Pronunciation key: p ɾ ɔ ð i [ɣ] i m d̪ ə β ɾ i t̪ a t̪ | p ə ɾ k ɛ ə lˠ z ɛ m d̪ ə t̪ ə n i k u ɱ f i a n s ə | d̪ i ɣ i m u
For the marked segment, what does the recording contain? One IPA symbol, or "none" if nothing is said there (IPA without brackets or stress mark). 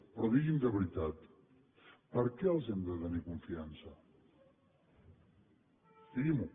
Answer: ɣ